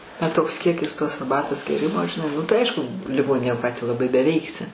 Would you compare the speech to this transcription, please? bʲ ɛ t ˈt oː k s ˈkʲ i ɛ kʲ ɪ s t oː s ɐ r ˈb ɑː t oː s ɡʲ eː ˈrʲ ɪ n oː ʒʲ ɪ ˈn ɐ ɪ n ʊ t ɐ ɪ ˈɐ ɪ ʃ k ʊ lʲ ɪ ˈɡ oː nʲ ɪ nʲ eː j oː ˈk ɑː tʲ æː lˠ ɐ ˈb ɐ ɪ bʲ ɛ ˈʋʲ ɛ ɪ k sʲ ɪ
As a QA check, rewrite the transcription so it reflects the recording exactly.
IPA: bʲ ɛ t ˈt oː k s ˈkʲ i ɛ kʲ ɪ s t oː s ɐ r ˈb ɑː t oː s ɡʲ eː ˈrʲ ɪ m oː ʒʲ ɪ ˈn ɐ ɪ n ʊ t ɐ ɪ ˈɐ ɪ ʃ k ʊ lʲ ɪ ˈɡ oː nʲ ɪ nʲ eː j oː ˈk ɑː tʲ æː lˠ ɐ ˈb ɐ ɪ bʲ ɛ ˈʋʲ ɛ ɪ k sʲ ɪ